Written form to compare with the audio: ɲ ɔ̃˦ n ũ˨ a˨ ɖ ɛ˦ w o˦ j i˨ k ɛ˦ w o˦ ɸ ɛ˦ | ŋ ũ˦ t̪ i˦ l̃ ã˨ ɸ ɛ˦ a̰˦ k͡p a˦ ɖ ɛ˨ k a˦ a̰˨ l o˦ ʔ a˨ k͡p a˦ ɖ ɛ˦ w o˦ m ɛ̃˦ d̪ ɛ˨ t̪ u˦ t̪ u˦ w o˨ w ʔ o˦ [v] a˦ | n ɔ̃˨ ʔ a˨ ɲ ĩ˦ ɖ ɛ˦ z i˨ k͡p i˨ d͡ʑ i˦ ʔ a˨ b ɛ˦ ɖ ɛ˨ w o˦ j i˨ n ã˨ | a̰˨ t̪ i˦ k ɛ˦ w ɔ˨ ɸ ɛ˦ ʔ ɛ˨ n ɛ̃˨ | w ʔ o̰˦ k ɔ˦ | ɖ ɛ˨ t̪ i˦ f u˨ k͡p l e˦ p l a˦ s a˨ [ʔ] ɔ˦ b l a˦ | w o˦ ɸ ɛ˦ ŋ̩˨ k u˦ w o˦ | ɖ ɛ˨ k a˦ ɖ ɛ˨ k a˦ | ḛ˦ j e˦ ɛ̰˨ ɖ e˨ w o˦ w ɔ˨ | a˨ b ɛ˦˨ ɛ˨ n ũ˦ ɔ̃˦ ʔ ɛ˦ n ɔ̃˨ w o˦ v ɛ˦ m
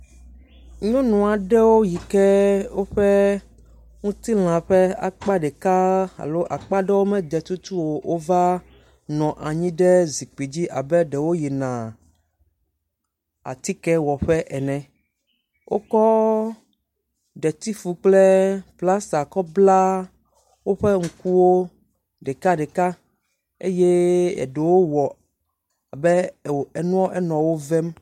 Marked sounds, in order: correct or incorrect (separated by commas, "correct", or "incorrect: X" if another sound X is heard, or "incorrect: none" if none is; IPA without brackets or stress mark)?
correct, incorrect: k